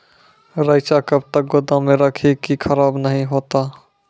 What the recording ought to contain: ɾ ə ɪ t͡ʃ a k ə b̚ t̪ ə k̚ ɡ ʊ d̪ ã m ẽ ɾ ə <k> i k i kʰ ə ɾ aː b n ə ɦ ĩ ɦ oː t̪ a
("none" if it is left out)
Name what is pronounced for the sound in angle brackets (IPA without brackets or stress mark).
kʰ